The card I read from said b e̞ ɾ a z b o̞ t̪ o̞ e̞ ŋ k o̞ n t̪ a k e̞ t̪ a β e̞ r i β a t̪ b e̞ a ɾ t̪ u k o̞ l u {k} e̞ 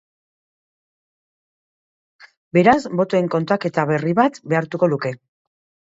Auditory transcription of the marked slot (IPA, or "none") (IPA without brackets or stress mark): k